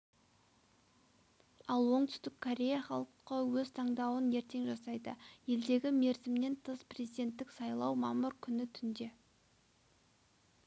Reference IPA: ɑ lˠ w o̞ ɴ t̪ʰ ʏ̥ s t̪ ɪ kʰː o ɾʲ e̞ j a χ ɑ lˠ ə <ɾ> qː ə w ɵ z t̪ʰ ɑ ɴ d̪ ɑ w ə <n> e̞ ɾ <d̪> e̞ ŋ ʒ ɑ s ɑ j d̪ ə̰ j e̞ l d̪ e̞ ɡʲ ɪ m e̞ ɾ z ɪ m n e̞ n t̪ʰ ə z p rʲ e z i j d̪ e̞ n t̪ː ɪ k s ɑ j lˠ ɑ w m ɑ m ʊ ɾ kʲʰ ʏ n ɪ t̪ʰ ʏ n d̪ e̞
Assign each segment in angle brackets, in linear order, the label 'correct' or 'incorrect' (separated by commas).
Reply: incorrect, correct, incorrect